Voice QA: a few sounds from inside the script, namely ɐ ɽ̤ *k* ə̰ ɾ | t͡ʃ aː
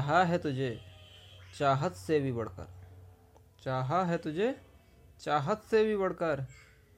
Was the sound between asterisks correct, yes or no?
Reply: yes